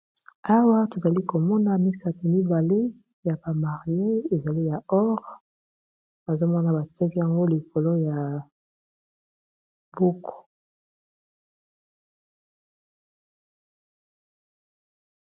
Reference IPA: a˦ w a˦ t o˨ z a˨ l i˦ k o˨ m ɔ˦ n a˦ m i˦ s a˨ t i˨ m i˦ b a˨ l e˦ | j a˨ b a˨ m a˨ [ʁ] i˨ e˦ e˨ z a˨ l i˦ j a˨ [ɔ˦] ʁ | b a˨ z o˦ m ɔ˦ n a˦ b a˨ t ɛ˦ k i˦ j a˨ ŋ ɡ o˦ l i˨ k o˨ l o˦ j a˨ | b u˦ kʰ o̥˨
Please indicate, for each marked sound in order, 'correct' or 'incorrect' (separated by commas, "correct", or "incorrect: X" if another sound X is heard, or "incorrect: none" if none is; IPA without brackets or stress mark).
correct, correct